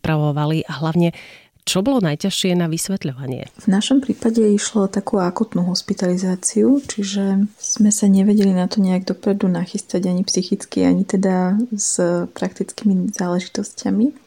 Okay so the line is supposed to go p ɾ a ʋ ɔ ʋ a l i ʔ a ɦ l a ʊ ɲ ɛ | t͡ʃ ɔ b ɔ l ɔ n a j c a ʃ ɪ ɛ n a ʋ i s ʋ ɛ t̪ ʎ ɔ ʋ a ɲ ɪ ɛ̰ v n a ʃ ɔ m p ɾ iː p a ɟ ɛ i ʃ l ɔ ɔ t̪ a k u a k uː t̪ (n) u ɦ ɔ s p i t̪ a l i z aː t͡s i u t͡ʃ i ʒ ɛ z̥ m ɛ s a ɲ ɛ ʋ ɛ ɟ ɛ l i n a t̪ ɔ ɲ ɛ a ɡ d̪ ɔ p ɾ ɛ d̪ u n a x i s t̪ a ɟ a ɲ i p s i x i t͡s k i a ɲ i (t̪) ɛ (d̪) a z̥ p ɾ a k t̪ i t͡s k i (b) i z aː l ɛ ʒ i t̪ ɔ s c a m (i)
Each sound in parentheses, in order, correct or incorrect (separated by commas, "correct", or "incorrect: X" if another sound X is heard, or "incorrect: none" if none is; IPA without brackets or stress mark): correct, correct, correct, incorrect: m, correct